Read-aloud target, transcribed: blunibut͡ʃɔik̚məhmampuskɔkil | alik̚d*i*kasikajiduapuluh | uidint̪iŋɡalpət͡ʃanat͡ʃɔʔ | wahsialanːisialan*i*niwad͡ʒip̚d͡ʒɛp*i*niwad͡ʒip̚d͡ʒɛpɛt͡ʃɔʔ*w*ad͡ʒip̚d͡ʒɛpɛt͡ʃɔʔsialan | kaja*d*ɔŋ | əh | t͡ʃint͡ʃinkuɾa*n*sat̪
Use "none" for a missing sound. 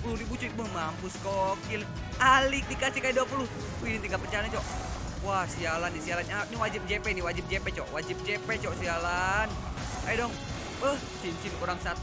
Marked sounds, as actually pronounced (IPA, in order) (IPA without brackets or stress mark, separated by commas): i, a, ɛ, w, d, ŋ